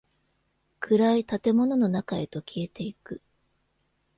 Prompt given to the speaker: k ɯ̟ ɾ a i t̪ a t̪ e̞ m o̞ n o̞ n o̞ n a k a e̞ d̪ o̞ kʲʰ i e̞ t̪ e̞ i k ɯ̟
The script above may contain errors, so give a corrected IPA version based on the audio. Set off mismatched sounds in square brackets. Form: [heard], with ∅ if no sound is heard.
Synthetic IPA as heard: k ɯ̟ ɾ a i t̪ a t̪ e̞ m o̞ n o̞ n o̞ n a k a e̞ [t̪] o̞ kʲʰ i e̞ t̪ e̞ i k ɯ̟